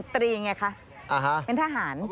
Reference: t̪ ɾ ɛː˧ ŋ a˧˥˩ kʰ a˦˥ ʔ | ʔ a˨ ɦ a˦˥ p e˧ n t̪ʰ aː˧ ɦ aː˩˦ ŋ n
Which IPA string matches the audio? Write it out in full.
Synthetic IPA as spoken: t̪ ɾ iː˧ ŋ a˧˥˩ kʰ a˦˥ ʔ | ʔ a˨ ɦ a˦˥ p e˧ n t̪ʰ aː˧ ɦ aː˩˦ n